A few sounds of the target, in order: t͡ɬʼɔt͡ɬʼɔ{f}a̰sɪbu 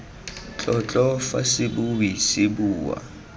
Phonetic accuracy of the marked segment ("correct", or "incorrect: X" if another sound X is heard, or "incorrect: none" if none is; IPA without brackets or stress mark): correct